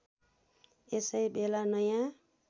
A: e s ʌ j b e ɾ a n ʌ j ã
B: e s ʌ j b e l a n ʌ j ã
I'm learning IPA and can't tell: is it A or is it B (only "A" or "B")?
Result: B